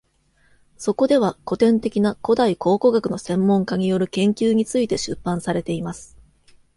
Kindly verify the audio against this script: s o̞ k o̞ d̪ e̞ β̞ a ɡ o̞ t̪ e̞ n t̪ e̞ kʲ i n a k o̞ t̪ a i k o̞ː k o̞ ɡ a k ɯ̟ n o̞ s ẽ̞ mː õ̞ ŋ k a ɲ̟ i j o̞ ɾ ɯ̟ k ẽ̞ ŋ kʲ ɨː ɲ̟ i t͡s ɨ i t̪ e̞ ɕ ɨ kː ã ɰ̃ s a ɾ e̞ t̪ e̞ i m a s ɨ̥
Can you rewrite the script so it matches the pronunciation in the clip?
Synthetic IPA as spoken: s o̞ k o̞ d̪ e̞ β̞ a k o̞ t̪ ẽ̞ n t̪ e̞ kʲ i n a k o̞ d̪ a i k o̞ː k o̞ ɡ a k ɯ̟ n o̞ s ẽ̞ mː õ̞ ŋ k a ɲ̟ i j o̞ ɾ ɯ̟ k ẽ̞ ŋ kʲ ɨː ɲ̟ i t͡s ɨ i t̪ e̞ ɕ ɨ pː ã ɰ̃ s a ɾ e̞ t̪ e̞ i m a s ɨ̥